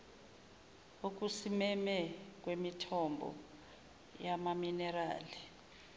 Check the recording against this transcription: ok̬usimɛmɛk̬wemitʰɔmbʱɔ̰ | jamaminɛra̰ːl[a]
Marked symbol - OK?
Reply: no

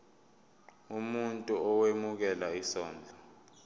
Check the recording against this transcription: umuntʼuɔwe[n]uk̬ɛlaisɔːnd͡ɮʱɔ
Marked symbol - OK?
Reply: no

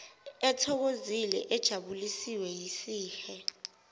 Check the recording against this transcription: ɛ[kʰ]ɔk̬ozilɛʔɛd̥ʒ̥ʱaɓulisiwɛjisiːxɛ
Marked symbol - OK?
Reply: no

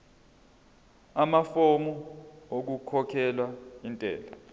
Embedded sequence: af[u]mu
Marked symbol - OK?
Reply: no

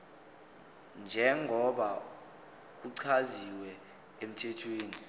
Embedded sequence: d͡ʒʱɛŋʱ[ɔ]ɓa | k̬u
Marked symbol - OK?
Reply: yes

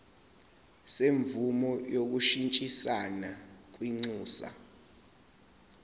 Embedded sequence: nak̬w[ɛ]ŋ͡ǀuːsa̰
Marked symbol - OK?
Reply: no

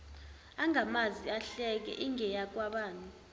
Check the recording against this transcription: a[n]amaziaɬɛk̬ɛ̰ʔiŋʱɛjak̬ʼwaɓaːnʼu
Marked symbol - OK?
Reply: no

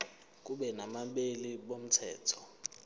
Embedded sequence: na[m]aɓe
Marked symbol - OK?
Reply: yes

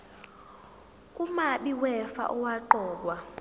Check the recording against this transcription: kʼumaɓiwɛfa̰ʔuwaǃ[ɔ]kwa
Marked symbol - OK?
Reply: no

